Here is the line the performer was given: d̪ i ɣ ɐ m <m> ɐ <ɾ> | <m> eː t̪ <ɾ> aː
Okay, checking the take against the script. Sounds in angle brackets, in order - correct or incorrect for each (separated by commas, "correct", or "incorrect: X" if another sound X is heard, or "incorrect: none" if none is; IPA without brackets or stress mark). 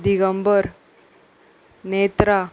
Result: incorrect: b, correct, incorrect: n, correct